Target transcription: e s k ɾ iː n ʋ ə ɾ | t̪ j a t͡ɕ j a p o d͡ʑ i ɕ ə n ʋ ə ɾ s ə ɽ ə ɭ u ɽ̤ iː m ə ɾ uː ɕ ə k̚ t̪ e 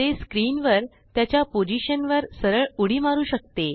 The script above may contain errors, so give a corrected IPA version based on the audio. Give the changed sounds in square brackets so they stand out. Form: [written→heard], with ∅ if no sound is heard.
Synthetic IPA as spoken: e s k ɾ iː n ʋ ə ɾ | t̪ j a t͡ɕ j a p o d͡ʑ i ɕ ə n ʋ ə ɾ s ə [ɽ→ɾ] ə ɭ u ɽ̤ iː m [ə→a] ɾ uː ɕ ə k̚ t̪ e